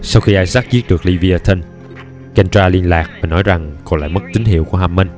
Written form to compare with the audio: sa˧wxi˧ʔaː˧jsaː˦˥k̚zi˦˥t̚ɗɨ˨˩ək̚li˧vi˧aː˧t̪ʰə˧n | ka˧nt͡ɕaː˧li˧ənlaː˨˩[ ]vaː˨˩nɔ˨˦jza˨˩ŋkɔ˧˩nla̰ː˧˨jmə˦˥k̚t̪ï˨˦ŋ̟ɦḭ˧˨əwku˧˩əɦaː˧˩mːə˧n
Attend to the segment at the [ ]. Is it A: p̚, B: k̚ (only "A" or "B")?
B